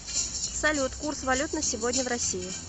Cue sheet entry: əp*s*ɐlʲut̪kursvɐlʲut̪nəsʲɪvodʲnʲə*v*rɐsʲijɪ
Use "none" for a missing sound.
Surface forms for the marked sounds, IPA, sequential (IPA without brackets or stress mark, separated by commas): s, v